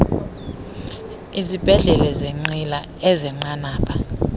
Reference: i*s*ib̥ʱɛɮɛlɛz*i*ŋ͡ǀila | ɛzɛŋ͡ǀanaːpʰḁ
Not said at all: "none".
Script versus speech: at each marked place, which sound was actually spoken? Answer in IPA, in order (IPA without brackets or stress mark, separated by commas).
z, e